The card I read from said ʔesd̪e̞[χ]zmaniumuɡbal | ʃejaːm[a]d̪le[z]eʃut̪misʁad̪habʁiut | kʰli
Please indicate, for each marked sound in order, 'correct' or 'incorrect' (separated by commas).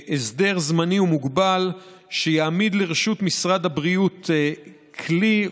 incorrect, incorrect, incorrect